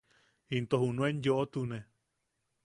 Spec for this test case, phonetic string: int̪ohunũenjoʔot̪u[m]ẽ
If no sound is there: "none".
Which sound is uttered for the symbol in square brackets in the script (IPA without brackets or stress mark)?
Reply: n